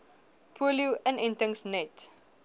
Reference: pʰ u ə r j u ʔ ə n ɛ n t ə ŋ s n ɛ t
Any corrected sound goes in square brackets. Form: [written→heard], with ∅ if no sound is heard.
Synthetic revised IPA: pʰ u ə [r→l] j u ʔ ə n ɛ n t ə ŋ s n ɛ t